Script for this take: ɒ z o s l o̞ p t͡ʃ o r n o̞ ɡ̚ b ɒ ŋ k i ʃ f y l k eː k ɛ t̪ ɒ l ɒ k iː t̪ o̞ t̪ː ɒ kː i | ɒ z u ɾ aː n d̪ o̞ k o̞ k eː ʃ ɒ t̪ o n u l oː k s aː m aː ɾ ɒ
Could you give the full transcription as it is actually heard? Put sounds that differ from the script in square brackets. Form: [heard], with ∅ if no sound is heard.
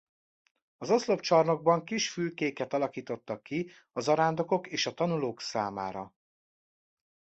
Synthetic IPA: ɒ z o s l o̞ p t͡ʃ [ɒ] r n o̞ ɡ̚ b ɒ ŋ k i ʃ f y l k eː k ɛ t̪ ɒ l ɒ k iː t̪ o̞ t̪ː ɒ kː i | ɒ z [ɒ] ɾ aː n d̪ o̞ k o̞ k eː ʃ ɒ t̪ [ɒ] n u l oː k s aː m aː ɾ ɒ